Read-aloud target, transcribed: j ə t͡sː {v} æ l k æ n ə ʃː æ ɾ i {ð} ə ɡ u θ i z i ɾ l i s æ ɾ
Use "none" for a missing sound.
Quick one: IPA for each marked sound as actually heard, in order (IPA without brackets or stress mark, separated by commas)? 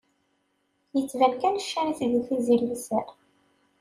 v, θ